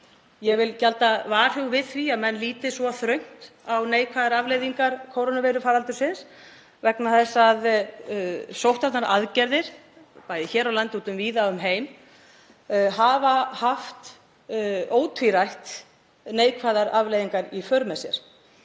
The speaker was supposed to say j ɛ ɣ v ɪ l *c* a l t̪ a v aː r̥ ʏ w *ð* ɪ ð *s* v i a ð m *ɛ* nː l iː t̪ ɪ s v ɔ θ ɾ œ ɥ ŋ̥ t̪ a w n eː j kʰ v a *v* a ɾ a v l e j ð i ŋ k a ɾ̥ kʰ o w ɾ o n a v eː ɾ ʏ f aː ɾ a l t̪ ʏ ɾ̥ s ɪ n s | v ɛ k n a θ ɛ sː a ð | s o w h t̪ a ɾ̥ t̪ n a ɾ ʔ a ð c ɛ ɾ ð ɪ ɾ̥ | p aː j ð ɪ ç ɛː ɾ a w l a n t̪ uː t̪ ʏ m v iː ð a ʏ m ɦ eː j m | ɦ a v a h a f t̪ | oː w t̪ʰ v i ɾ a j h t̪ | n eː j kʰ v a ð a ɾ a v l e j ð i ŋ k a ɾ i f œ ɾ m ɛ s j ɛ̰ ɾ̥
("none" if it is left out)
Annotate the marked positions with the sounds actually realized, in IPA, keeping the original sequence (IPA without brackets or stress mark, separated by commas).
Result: c, v, θ, ɛ, ð